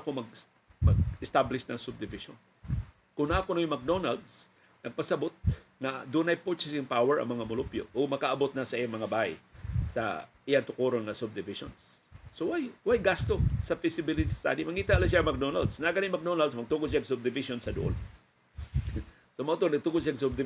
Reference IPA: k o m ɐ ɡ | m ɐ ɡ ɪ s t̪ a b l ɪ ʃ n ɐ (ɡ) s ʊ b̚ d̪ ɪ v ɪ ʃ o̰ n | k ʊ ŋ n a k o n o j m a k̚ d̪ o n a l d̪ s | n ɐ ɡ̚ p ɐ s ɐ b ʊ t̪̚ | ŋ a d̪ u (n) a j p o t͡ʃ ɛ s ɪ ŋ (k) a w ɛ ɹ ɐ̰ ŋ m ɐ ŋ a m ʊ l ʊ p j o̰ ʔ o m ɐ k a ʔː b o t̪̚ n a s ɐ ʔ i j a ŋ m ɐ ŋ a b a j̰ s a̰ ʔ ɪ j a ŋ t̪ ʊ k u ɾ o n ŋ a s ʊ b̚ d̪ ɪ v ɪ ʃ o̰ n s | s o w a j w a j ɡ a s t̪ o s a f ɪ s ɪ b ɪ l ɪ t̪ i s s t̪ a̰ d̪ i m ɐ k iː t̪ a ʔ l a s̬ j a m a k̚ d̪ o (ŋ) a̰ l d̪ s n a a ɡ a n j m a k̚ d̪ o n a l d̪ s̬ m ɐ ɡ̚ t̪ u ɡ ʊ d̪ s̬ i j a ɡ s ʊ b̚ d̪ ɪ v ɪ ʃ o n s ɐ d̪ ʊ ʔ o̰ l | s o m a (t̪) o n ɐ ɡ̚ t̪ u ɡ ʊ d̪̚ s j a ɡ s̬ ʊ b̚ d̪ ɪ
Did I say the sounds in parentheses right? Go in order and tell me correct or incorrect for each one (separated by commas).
incorrect, correct, incorrect, incorrect, correct